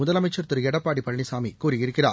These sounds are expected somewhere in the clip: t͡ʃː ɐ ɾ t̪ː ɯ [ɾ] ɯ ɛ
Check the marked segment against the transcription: correct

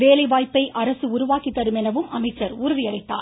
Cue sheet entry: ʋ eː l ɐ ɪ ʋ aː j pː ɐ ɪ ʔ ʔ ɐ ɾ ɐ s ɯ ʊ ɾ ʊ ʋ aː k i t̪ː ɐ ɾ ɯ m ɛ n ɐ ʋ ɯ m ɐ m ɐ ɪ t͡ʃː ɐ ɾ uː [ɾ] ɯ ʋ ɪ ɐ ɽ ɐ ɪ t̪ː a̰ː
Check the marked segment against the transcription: correct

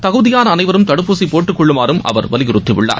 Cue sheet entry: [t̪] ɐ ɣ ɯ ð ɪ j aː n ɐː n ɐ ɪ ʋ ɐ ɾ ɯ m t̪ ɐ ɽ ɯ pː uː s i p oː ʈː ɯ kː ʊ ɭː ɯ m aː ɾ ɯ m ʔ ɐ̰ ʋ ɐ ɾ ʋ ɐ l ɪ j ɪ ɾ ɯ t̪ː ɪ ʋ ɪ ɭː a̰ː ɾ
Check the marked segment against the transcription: correct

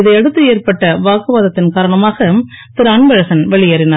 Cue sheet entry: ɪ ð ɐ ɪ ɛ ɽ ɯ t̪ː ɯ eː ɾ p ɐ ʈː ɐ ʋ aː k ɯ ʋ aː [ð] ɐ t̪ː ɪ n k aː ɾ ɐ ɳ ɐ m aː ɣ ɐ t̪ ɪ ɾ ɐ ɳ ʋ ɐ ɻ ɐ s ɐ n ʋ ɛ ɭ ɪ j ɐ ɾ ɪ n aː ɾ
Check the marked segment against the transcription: correct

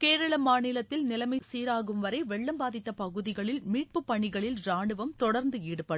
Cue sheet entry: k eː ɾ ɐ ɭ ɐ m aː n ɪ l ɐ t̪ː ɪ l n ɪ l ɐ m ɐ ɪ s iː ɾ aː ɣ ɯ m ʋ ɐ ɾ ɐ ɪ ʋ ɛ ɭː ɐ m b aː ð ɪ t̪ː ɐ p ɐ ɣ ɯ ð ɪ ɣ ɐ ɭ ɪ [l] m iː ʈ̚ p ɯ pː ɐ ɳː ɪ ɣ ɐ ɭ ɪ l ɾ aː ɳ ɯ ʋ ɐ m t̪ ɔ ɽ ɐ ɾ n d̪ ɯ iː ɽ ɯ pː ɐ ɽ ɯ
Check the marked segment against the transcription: correct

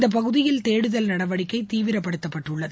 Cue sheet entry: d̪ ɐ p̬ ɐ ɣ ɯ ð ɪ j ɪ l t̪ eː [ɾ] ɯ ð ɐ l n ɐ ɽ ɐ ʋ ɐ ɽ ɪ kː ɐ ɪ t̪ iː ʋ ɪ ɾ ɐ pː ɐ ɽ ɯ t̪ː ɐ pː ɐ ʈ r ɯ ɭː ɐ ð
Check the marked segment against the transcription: incorrect: ɽ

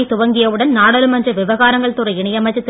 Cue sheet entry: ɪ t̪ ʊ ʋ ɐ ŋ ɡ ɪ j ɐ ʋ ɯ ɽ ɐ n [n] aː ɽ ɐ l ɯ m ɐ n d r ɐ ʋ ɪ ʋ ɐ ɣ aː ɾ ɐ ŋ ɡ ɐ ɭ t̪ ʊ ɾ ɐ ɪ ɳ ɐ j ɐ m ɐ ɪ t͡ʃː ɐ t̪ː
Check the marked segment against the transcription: correct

